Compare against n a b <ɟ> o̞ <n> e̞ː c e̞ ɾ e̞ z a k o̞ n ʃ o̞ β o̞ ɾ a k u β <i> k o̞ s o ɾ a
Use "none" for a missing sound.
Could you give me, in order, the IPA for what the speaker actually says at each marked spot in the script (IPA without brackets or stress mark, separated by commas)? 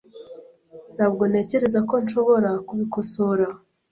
ɡ, n, i